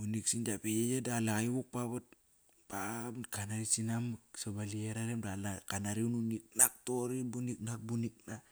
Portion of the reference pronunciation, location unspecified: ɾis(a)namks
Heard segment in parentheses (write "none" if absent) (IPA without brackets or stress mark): i